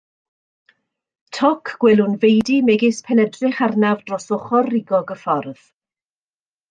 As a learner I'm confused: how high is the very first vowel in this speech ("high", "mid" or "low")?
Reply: mid